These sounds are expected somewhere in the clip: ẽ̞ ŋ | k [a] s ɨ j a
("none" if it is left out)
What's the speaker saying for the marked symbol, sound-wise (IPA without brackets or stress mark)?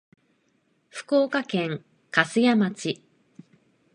a